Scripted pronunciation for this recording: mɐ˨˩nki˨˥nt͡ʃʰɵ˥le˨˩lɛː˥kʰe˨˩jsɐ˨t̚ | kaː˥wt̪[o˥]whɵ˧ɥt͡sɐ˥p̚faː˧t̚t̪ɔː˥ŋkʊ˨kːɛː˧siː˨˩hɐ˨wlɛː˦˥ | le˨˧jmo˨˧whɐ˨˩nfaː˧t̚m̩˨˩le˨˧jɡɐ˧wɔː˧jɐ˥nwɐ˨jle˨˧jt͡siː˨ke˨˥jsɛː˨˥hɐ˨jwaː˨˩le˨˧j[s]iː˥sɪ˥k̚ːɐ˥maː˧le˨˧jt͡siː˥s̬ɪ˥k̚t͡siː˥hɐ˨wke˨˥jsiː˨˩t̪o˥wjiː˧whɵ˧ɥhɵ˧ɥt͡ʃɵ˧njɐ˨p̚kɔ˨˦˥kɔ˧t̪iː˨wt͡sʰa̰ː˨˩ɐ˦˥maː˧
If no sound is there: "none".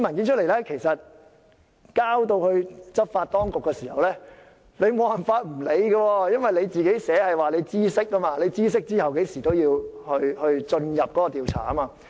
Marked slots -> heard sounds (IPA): o˧, t͡s

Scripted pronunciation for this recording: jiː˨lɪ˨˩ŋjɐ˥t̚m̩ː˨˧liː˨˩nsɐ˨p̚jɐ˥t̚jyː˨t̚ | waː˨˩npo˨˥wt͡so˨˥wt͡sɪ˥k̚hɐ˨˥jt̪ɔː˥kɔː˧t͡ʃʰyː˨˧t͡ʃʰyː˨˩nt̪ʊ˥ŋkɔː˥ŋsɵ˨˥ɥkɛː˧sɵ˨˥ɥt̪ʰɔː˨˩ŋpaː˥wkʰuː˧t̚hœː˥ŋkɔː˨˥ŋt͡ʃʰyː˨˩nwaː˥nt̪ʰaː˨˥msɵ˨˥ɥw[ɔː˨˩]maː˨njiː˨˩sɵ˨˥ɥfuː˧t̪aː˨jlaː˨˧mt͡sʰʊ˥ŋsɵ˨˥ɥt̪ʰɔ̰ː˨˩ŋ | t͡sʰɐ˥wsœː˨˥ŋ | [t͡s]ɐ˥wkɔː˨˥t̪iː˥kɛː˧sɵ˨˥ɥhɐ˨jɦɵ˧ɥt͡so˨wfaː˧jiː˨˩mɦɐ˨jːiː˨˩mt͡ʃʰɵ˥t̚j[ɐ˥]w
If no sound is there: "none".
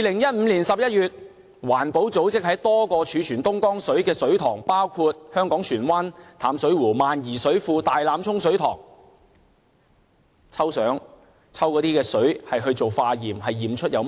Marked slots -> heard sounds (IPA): uː˨˩, t͡sʰ, ɐ˨˧

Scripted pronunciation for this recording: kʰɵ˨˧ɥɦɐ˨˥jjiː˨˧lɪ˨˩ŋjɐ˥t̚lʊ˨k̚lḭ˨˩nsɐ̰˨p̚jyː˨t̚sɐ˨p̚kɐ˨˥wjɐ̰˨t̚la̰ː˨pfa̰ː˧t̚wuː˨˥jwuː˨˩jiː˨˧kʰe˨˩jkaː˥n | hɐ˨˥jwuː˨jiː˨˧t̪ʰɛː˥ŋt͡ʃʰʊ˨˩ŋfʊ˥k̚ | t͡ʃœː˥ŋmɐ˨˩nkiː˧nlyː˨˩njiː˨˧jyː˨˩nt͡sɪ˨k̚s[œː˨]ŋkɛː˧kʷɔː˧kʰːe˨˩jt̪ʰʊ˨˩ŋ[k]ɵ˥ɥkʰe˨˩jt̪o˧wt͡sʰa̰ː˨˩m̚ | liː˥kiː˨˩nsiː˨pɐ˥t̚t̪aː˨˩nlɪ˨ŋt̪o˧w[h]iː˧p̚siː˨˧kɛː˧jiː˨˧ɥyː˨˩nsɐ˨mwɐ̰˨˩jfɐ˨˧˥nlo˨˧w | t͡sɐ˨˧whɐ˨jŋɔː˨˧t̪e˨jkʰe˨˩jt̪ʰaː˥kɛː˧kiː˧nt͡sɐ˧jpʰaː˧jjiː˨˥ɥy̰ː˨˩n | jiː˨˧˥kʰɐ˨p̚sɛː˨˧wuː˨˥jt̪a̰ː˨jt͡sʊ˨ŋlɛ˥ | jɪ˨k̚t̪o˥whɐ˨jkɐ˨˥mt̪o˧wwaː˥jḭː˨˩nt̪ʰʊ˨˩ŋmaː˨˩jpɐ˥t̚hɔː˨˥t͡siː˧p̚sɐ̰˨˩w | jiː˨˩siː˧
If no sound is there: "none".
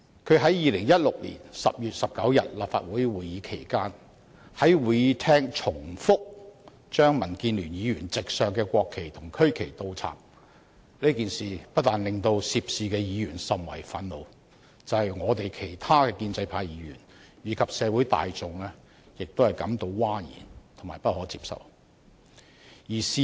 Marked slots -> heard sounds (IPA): œː˨, kʰ, s

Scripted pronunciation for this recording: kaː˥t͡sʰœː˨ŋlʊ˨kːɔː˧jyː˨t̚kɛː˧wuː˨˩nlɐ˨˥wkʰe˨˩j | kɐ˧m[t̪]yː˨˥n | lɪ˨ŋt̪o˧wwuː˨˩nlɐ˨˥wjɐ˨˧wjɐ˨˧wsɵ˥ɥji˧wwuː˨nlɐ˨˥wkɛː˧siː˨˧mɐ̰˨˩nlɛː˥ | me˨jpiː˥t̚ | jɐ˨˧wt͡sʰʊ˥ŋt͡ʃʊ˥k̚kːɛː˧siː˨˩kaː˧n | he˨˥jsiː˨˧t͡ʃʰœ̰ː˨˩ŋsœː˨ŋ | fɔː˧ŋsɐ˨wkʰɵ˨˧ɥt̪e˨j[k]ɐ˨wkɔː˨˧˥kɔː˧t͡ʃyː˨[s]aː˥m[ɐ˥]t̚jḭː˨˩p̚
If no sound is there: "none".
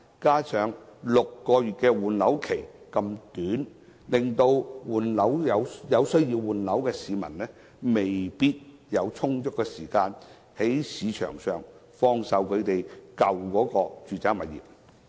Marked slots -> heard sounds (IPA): t̪, k, t͡s, ɐ˨

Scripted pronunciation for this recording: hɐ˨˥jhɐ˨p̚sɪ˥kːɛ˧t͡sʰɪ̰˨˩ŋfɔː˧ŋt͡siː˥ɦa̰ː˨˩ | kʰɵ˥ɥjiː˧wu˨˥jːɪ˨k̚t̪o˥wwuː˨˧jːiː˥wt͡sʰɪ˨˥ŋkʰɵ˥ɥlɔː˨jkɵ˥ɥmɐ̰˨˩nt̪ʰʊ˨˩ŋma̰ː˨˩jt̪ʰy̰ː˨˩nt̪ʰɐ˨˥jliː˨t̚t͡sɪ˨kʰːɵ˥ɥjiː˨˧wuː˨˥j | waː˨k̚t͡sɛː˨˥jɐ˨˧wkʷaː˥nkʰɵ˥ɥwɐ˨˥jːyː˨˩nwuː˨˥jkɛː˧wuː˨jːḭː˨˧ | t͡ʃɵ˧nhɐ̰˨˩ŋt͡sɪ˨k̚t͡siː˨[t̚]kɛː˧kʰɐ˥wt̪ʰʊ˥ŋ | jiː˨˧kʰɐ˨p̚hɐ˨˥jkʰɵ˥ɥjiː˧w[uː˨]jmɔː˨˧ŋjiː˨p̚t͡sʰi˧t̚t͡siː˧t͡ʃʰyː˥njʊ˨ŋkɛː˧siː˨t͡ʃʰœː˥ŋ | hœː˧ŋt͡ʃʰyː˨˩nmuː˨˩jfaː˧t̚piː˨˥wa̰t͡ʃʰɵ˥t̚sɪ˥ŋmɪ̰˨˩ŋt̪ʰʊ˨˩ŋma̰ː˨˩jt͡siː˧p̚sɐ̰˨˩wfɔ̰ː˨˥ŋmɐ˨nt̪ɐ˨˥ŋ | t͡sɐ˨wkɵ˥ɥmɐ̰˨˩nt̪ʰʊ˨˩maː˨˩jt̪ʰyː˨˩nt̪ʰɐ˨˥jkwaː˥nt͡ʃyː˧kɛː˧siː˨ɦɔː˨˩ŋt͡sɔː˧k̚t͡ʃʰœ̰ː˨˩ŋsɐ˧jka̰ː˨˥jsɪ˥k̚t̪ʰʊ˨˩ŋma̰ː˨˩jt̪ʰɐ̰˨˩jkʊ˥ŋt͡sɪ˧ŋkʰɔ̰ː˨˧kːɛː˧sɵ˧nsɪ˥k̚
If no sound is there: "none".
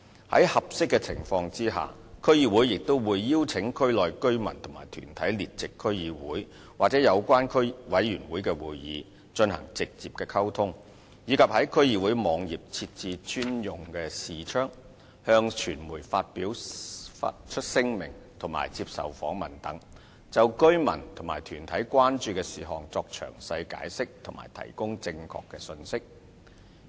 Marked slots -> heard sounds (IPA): p̚, uː˨˥

